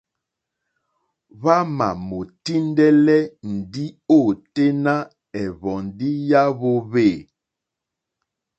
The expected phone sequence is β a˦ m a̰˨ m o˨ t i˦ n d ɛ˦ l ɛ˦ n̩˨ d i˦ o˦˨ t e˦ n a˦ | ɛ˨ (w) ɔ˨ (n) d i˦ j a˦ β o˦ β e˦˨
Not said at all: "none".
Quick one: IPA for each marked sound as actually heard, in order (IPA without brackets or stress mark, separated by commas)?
β, n